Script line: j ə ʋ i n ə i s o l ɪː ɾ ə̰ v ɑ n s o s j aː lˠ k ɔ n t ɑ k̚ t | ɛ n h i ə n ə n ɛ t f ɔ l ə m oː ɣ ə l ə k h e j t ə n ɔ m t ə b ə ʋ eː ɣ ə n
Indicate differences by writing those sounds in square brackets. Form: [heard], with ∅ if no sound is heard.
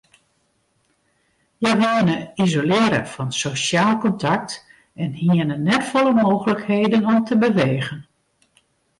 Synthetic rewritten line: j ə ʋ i n ə i [z] o l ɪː ɾ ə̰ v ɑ n s o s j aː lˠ k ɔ n t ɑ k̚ t | ɛ n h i ə n ə n ɛ t f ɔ l ə m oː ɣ ə l ə k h e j [d] ə n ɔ m t ə b ə ʋ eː ɣ ə n